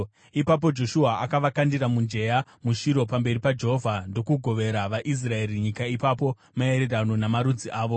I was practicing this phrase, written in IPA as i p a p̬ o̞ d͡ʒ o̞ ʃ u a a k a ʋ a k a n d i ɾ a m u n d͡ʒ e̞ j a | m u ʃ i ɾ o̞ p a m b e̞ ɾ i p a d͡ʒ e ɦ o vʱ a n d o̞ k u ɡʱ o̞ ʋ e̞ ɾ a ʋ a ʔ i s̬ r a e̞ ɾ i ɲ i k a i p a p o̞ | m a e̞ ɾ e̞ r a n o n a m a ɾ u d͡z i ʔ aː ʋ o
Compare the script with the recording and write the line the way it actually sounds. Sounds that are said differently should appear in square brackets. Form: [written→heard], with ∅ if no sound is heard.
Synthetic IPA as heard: i p a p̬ o̞ d͡ʒ o̞ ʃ u a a k a ʋ a k a n d i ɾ a m u n d͡ʒ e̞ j a | m u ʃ i ɾ o̞ p a m b e̞ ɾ i p a d͡ʒ e ɦ o vʱ a n d o̞ k u ɡʱ o̞ ʋ e̞ ɾ a ʋ a ʔ i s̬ r a e̞ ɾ i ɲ i k a i p a p o̞ | m a e̞ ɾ e̞ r a n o n a m a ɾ u d͡z i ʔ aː ʋ o